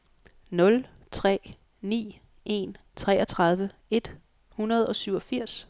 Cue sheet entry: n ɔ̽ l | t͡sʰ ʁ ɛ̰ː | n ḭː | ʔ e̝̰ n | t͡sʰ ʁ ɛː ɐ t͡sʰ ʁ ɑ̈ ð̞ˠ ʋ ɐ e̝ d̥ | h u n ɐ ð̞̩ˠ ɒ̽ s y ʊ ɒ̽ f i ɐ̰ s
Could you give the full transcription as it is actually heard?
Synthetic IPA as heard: n ɔ̽ l | t͡sʰ ʁ ɛ̰ː | n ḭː | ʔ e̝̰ n | t͡sʰ ʁ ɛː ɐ t͡sʰ ʁ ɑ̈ ð̞ˠ ʋ ə e̝ d̥ | h u n ɐ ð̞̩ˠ ɒ̽ s y ʊ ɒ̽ f i ɐ̰ s